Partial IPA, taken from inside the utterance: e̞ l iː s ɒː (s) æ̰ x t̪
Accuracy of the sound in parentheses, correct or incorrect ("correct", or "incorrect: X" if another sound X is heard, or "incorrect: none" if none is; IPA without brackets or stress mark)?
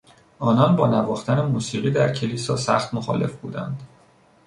correct